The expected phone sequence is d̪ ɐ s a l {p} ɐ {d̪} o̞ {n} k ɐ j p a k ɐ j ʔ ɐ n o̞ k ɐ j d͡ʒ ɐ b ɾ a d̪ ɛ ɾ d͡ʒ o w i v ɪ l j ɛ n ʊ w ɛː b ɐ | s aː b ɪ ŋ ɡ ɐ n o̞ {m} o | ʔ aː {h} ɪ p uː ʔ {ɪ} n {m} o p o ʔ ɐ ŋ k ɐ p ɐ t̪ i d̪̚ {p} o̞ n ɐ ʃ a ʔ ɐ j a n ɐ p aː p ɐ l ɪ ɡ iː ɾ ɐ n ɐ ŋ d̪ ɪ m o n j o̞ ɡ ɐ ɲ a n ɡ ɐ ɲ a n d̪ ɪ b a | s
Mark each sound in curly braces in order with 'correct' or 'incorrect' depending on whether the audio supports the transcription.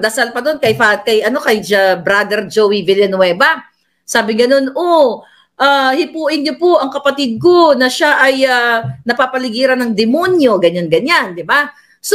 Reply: correct, correct, correct, incorrect: n, correct, correct, incorrect: ɲ, incorrect: k

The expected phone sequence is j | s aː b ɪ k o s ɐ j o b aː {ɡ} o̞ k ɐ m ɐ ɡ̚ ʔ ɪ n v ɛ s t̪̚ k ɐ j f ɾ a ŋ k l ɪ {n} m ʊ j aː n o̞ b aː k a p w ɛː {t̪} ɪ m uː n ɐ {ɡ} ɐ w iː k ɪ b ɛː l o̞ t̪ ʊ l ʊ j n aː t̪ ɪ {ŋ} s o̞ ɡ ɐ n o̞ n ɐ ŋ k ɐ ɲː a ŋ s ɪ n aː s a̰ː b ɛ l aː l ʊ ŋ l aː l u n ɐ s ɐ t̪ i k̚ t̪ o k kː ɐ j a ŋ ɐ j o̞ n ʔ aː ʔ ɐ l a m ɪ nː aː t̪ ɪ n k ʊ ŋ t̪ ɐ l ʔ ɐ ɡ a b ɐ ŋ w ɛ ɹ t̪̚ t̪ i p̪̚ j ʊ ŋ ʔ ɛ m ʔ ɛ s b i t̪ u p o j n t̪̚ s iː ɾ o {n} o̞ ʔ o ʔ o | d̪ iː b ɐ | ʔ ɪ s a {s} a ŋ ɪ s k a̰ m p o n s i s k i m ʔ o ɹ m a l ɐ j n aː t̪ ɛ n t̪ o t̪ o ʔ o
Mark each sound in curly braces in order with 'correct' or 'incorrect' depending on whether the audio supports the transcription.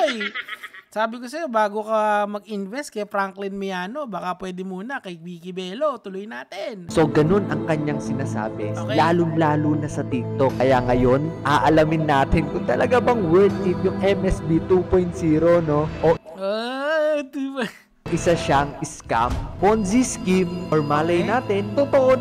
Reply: correct, correct, incorrect: d̪, incorrect: k, incorrect: n, correct, incorrect: ʃ

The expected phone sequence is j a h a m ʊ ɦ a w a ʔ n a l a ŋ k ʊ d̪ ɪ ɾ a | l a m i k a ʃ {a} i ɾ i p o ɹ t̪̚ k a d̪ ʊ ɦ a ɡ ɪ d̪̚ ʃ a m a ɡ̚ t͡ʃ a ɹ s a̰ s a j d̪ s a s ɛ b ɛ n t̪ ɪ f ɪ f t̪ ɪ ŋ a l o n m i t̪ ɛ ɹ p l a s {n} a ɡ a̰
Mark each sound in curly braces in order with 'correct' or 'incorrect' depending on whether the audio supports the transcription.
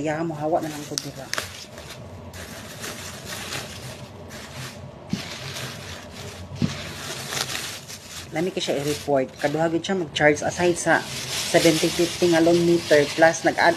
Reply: correct, correct

